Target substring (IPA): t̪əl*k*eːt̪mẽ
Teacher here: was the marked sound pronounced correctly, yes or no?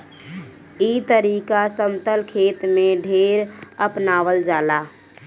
no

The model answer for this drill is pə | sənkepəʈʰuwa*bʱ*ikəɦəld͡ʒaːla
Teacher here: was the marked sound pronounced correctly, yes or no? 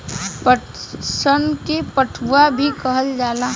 yes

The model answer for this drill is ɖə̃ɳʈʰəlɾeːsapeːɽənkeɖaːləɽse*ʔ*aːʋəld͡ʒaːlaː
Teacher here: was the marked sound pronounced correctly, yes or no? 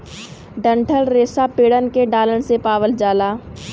no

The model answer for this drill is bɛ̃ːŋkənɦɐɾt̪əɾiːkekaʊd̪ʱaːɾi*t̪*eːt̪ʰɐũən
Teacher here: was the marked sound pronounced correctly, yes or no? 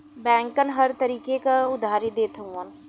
no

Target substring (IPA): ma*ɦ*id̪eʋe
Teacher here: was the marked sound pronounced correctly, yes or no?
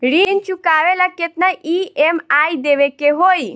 no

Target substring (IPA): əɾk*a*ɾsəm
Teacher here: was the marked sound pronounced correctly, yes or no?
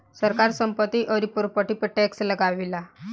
yes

